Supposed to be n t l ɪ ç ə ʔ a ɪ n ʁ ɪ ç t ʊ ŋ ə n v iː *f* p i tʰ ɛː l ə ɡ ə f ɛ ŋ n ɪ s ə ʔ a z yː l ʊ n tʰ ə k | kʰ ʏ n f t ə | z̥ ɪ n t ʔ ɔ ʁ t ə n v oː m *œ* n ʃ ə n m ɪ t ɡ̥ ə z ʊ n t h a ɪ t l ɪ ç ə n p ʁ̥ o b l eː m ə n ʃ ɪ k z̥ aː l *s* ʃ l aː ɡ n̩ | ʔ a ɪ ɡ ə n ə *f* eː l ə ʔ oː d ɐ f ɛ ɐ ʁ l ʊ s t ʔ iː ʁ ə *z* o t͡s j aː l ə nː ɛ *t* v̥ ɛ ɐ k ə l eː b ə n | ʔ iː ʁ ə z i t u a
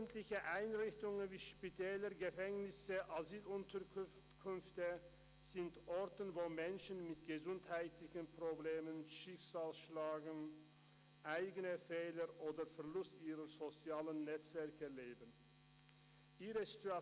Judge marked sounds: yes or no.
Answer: no, no, yes, yes, yes, no

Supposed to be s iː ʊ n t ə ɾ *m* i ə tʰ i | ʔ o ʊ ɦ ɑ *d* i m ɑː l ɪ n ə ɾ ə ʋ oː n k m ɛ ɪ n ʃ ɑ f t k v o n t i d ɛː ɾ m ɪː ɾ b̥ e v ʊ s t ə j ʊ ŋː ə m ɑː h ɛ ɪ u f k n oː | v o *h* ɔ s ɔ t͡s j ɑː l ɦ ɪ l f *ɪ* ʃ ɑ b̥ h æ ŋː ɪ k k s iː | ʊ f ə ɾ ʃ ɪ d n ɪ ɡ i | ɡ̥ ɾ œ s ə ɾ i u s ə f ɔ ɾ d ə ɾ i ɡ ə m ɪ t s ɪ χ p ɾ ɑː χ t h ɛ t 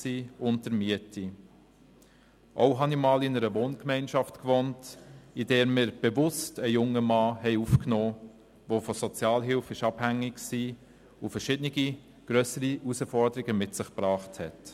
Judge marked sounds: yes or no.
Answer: yes, no, no, yes

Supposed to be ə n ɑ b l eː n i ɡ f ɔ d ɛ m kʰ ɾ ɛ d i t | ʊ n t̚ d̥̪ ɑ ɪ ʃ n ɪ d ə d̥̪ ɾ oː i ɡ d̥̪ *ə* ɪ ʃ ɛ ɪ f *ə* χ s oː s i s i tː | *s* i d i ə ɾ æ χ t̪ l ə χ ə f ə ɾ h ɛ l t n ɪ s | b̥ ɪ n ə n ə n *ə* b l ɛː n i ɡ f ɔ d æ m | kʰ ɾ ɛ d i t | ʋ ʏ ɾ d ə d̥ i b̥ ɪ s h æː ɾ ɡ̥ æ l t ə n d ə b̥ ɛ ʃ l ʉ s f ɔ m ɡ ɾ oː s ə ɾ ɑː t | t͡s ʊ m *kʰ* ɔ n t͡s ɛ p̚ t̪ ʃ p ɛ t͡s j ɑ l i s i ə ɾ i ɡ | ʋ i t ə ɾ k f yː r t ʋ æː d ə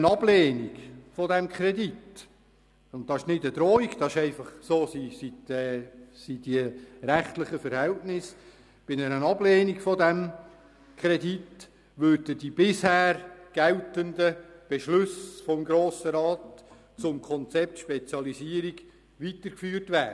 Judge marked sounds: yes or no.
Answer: no, no, yes, no, yes

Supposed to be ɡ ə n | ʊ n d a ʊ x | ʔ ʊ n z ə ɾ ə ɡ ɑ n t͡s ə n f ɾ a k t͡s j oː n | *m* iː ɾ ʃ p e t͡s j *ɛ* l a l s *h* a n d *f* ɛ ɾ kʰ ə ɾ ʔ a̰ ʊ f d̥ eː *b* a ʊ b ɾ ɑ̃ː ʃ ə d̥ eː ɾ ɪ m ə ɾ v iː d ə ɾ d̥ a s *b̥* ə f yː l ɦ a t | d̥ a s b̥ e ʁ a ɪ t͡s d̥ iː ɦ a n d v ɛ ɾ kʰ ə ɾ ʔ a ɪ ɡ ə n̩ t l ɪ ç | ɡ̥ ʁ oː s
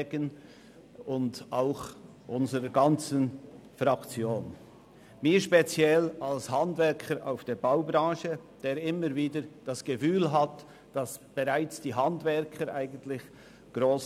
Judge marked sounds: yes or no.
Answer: yes, yes, yes, no, yes, no

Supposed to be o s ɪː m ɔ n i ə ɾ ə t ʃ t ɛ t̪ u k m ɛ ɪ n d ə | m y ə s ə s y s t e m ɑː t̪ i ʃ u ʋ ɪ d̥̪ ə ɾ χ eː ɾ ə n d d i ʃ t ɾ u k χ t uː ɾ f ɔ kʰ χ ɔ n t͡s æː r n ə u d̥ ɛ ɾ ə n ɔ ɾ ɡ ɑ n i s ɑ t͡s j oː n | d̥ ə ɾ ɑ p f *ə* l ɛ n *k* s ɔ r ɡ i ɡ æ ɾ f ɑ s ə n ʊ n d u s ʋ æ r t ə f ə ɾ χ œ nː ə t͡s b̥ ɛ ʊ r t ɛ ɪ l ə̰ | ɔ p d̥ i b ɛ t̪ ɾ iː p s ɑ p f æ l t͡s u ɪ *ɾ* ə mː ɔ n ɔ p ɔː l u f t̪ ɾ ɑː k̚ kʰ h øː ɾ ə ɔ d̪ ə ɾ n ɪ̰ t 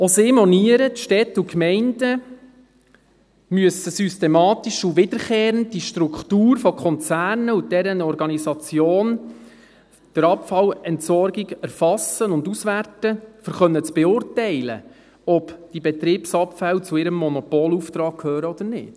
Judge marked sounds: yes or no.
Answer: no, no, yes

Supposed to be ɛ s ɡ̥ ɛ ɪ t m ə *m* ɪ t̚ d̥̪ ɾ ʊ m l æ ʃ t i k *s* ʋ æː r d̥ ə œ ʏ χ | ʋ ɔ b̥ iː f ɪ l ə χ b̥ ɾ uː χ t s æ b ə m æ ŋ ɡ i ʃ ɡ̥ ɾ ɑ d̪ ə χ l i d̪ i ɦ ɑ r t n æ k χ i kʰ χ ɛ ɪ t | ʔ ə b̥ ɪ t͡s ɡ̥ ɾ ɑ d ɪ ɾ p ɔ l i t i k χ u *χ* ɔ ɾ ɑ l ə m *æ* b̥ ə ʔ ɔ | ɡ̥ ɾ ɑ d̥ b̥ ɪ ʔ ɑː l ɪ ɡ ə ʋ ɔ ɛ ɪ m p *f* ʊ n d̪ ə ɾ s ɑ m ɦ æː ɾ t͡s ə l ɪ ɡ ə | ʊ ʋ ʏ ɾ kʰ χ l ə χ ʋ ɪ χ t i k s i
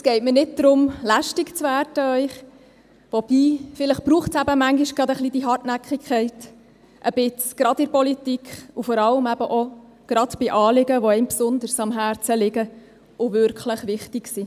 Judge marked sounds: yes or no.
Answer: no, no, no, yes, no

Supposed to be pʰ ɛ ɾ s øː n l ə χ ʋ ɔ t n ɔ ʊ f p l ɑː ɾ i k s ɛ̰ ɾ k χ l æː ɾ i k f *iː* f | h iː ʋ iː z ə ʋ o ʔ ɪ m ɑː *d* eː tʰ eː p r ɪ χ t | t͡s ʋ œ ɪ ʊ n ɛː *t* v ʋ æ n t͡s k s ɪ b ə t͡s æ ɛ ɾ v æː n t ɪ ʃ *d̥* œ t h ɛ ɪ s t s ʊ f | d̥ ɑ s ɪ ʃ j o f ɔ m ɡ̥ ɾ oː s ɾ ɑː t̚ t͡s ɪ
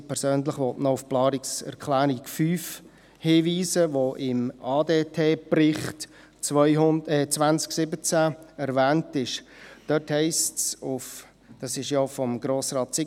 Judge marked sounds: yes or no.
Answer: no, yes, no, yes

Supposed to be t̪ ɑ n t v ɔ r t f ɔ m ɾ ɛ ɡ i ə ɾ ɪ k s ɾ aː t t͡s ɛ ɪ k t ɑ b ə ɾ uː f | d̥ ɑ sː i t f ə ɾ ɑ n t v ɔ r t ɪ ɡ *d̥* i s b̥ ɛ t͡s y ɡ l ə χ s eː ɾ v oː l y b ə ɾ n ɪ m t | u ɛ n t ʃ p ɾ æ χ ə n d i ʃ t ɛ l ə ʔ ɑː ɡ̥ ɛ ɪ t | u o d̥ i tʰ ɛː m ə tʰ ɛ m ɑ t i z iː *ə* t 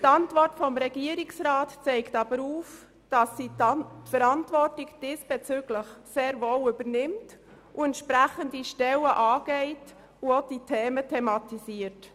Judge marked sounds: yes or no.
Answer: yes, yes

